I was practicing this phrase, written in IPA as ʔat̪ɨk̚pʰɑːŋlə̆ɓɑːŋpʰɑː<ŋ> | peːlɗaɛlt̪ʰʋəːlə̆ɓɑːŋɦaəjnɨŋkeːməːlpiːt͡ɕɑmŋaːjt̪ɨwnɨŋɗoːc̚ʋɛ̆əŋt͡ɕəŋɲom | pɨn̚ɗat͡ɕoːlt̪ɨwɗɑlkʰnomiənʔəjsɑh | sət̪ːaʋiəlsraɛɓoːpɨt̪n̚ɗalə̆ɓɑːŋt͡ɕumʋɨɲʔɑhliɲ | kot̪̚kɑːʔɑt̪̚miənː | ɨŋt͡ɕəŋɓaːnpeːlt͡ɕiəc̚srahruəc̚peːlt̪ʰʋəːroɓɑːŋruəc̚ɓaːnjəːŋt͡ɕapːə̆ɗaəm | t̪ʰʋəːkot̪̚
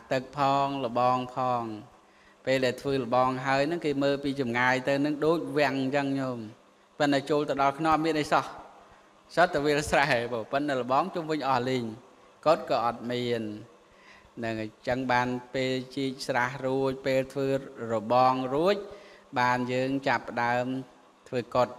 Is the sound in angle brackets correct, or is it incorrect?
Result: correct